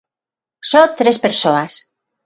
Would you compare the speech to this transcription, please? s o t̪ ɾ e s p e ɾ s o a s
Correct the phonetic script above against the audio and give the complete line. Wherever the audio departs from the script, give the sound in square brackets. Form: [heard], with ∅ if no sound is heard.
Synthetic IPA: s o t̪ ɾ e s p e ɾ s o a s